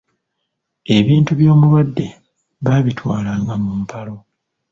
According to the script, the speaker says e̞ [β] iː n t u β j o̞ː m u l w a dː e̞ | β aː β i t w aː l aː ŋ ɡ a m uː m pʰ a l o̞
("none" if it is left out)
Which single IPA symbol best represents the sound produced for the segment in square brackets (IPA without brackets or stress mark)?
β